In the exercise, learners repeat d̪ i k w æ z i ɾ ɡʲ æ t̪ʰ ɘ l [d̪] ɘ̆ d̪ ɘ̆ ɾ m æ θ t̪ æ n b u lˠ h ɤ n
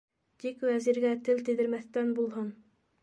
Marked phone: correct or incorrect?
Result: incorrect